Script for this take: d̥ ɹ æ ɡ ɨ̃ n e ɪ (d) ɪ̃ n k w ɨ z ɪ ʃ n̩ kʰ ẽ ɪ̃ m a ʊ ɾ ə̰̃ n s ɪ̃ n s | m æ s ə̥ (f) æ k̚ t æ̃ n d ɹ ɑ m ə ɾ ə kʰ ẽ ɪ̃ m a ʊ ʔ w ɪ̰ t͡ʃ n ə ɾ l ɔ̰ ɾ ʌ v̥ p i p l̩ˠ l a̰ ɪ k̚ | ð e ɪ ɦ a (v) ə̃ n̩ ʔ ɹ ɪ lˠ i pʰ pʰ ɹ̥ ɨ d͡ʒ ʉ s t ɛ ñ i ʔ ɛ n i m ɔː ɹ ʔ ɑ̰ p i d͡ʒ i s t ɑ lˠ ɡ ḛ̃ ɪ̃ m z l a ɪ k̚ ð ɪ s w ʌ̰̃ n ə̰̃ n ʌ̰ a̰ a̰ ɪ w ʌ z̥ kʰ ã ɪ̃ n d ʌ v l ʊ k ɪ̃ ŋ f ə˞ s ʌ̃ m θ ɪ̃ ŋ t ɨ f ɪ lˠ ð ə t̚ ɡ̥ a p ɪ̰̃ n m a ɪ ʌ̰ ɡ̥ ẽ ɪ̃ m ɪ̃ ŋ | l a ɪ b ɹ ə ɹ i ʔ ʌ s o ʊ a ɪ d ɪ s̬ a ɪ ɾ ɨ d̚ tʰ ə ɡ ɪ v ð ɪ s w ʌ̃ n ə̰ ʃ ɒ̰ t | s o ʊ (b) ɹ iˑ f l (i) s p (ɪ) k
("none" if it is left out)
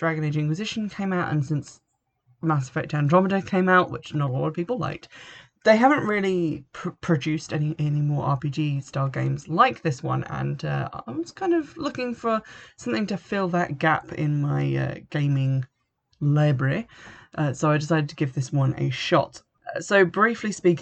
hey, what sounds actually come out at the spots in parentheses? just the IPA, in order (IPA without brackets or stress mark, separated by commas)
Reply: d͡ʒ, f, v, b, i, i